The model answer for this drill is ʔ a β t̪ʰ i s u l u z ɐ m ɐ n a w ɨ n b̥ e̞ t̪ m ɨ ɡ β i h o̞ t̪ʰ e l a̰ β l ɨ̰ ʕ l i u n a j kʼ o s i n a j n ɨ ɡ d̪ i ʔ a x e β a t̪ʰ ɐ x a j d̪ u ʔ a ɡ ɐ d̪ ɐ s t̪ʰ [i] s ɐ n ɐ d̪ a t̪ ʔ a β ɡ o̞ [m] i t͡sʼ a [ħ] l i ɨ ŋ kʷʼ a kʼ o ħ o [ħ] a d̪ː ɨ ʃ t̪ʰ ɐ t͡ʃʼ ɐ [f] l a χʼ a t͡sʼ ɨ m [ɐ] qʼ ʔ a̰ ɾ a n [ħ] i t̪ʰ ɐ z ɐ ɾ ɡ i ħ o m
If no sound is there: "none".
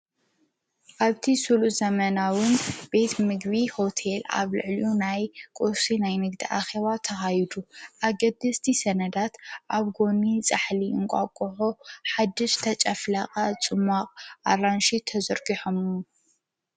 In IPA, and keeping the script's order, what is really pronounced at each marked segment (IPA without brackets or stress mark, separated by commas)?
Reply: i, n, ħ, ħ, f, a, ʃ